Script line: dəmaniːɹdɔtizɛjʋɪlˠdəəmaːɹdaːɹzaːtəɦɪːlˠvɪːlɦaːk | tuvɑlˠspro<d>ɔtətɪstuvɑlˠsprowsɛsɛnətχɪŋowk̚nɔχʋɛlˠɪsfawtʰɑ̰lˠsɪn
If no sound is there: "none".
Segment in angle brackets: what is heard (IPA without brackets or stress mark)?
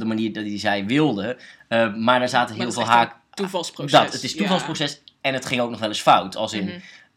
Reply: d